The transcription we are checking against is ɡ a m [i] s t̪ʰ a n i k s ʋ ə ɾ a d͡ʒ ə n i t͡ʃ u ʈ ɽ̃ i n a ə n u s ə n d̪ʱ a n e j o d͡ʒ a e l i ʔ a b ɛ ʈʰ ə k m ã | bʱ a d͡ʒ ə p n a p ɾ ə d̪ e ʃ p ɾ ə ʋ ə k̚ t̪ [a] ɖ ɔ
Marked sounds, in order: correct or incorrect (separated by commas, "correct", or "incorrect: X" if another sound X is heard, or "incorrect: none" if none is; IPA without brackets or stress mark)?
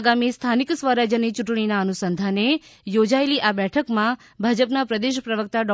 correct, correct